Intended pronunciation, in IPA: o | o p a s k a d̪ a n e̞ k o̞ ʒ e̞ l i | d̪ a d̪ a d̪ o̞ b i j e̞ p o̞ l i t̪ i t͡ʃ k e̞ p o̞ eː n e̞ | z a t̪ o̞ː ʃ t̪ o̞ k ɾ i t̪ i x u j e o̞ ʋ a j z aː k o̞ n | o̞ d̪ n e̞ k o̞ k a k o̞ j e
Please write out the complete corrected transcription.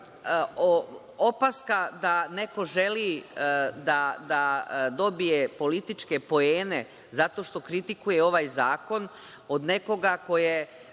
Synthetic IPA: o | o p a s k a d̪ a n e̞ k o̞ ʒ e̞ l i | d̪ a d̪ a d̪ o̞ b i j e̞ p o̞ l i t̪ i t͡ʃ k e̞ p o̞ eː n e̞ | z a t̪ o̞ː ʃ t̪ o̞ k ɾ i t̪ i k u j e o̞ ʋ a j z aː k o̞ n | o̞ d̪ n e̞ k o̞ ɡ a k o̞ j e